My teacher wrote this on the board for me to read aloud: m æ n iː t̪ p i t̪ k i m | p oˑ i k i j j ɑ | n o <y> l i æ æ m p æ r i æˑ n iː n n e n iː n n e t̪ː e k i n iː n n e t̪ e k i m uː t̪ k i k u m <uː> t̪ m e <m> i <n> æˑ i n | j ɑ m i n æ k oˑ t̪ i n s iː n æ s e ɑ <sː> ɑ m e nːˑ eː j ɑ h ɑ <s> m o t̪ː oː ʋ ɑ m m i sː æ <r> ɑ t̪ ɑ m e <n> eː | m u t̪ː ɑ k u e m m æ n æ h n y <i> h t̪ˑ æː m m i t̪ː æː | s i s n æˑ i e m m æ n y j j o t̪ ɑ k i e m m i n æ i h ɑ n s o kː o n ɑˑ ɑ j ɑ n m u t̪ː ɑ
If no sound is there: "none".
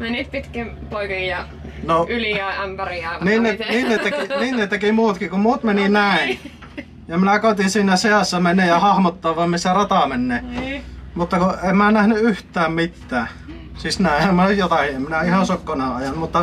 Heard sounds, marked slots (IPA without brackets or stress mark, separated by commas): y, uː, n, n, sː, h, r, nː, y